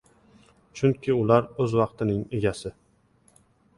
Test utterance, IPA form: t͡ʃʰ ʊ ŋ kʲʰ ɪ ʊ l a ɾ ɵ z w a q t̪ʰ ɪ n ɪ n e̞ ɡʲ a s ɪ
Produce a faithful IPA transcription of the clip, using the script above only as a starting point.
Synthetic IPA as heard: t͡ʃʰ ʊ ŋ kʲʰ ɪ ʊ l a ɾ ɵ z w ɑ q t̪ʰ ɪ n ɪ ŋ e̞ ɡʲ a s ɪ